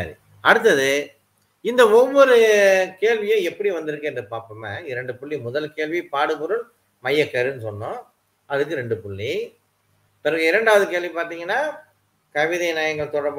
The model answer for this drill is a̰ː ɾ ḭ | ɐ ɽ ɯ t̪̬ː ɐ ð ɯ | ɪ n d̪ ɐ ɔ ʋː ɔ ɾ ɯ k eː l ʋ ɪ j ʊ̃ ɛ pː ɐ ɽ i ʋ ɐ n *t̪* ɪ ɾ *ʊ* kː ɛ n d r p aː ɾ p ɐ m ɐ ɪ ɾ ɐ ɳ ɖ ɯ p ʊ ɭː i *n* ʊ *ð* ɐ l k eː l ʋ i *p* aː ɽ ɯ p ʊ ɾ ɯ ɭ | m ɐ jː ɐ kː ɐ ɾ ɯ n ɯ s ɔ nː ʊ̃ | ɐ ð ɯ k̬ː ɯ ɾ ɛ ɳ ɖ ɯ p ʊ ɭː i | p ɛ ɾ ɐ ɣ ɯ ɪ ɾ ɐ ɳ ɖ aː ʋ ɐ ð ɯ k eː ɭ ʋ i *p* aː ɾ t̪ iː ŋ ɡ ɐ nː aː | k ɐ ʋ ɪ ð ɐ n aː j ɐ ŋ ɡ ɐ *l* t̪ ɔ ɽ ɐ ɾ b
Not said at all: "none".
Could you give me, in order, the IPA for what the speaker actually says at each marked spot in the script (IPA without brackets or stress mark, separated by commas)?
d̪, ɯ, m, ð, p, p, ɭ